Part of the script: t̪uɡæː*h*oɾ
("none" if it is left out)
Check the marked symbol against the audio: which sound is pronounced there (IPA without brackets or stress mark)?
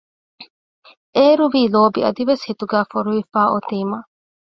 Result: f